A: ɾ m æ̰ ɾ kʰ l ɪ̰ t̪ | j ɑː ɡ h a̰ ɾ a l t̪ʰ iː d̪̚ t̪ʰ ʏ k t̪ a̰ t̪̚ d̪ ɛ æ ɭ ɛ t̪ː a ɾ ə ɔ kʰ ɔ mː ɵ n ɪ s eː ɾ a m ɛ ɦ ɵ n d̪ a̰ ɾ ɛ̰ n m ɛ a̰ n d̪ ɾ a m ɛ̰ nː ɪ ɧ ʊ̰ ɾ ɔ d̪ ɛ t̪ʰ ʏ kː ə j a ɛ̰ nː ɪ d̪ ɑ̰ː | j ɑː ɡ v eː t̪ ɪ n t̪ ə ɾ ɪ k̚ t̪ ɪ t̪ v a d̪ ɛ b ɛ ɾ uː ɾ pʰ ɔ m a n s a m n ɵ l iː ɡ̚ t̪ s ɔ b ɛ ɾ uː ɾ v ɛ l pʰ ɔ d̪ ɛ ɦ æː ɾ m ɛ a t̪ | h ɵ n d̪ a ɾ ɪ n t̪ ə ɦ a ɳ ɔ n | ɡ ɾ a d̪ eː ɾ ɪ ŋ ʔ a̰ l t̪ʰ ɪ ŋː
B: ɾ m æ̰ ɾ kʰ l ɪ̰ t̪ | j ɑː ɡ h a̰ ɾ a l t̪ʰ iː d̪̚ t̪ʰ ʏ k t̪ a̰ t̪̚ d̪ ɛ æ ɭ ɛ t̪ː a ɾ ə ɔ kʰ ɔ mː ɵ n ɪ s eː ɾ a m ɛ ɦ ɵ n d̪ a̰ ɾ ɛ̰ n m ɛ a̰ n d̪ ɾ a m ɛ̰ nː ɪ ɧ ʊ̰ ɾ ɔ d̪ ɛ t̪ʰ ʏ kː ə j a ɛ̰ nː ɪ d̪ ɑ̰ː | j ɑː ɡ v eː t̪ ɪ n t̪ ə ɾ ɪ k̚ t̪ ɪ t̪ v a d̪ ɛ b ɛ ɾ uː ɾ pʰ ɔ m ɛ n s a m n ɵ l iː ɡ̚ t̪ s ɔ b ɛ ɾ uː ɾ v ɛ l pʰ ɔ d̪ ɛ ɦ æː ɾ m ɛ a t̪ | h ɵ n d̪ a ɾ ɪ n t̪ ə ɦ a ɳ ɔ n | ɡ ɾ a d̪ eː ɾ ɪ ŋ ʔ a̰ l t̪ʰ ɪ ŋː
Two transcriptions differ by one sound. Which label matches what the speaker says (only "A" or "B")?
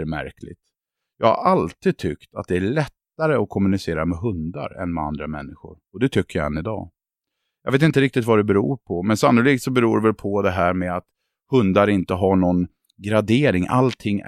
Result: B